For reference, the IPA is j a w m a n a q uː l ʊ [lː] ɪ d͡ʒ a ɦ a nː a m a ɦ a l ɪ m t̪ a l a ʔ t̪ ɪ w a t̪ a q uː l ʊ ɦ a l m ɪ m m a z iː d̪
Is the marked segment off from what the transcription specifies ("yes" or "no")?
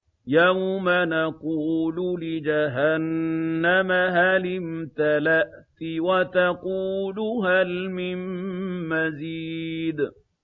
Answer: yes